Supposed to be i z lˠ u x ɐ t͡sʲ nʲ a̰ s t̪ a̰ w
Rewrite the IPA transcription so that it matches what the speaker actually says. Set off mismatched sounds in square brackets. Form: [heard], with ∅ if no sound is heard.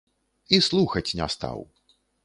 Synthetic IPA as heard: i [s] lˠ u x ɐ t͡sʲ nʲ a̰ s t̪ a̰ w